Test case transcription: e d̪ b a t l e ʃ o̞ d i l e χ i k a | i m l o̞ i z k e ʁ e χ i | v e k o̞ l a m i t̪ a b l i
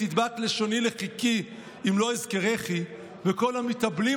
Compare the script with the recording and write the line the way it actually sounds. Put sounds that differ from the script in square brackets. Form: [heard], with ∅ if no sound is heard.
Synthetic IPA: [i] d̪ b a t l e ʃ o̞ [n] i l e χ i k [i] | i m l o̞ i z k e ʁ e χ i | v e k o̞ l a m i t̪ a b l i